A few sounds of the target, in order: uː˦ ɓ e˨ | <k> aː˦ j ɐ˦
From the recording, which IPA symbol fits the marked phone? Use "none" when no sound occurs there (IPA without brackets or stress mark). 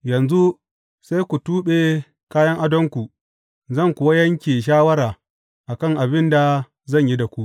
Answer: k